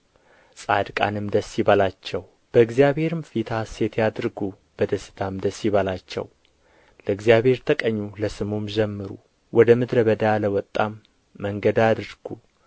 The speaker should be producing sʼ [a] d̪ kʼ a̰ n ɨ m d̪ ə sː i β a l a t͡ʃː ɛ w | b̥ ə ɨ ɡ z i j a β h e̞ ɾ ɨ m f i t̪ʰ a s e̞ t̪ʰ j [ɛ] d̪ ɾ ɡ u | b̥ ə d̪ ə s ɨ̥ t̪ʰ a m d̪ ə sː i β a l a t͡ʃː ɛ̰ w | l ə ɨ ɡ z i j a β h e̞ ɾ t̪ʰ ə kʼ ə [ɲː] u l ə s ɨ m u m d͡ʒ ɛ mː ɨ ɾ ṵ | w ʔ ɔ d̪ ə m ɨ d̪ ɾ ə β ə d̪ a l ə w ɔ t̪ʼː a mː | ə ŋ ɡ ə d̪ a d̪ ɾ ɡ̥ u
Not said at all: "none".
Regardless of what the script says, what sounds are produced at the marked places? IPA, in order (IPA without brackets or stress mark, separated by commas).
a, a, ɲː